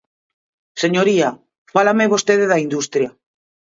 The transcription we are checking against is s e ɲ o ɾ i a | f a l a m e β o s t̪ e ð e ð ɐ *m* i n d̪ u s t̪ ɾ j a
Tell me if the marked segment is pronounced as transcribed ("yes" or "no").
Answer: no